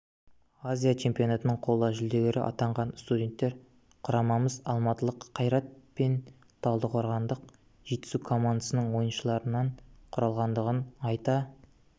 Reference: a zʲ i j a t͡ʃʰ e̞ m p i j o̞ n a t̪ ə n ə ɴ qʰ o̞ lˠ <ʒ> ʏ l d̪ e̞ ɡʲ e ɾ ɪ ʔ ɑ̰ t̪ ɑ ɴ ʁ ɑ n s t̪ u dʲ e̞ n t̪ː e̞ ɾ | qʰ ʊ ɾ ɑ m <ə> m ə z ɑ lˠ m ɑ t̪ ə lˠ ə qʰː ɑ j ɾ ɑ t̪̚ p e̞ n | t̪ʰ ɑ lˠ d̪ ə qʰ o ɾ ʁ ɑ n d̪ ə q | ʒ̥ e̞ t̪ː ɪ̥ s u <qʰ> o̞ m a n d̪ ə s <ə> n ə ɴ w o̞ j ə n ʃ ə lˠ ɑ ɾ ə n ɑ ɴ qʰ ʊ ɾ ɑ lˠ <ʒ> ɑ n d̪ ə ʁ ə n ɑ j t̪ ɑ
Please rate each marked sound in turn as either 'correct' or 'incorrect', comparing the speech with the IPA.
correct, incorrect: ɑ, incorrect: kʰ, correct, incorrect: ʁ

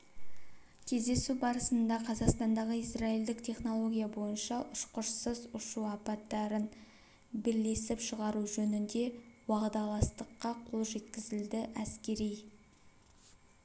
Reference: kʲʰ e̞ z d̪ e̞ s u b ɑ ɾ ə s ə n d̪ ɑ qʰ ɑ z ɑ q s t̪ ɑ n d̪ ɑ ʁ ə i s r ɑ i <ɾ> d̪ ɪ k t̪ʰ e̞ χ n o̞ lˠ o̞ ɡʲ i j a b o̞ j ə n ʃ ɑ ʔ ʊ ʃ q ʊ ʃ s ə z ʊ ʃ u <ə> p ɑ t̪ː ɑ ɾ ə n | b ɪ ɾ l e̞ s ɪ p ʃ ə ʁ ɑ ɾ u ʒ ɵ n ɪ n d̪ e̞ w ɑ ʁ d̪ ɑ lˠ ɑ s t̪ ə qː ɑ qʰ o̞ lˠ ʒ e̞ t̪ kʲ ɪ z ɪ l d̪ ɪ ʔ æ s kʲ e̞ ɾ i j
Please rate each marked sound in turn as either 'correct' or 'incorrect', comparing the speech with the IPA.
incorrect: l, incorrect: ɑ

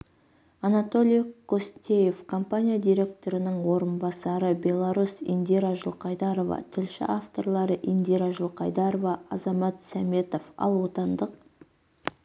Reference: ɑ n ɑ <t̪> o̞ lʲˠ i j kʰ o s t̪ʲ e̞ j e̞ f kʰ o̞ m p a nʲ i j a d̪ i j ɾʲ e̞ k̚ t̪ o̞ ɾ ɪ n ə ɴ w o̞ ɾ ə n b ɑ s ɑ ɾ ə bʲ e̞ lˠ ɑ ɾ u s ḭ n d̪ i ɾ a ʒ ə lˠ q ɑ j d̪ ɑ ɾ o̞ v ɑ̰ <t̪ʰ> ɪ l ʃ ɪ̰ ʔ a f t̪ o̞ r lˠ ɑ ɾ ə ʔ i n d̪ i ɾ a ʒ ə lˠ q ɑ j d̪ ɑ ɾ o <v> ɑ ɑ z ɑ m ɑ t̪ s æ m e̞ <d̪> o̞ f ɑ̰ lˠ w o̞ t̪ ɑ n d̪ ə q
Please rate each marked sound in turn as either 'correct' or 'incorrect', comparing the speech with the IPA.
correct, correct, correct, incorrect: t̪

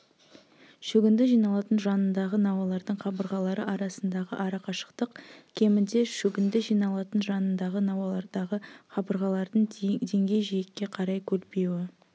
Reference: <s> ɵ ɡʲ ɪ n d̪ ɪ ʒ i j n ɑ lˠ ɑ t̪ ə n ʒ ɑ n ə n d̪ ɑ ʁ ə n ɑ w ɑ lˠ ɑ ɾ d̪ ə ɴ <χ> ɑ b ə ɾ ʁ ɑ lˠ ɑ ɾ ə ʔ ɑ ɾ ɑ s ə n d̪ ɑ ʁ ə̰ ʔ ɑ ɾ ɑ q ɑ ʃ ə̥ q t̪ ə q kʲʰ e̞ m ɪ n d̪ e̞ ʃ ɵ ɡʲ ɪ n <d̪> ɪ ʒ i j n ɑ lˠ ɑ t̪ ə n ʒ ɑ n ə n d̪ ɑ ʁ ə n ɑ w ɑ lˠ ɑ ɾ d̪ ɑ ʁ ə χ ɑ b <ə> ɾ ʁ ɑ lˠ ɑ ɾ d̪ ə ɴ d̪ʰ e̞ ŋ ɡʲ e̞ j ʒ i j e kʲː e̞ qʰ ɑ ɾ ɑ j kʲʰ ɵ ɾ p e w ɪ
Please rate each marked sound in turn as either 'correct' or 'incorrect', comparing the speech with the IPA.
incorrect: ʃ, correct, correct, correct

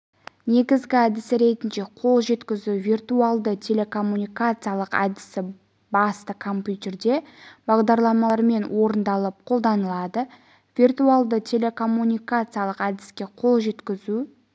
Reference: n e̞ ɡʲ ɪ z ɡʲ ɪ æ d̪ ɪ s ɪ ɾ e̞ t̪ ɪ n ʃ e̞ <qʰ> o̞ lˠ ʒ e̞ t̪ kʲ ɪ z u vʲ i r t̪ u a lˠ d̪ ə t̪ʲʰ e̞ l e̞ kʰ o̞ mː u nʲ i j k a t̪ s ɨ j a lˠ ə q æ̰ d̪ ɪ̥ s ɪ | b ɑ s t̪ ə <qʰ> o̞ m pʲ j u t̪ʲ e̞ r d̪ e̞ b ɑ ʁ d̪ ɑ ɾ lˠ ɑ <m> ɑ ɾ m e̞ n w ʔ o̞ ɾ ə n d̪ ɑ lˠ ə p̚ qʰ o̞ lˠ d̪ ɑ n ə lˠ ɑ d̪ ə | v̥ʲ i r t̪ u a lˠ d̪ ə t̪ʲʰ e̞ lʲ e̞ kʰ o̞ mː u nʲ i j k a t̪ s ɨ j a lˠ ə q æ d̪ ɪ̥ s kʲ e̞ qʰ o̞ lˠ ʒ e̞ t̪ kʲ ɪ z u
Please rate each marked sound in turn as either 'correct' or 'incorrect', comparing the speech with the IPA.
correct, incorrect: kʰ, correct

